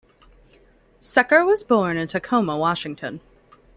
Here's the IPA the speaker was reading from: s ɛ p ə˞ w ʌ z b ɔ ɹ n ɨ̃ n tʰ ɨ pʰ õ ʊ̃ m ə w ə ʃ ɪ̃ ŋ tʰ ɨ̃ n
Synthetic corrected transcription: s ɛ k ə˞ w ʌ z b ɔ ɹ n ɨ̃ n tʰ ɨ kʰ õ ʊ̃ m ə w ɑ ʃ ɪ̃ ŋ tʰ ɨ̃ n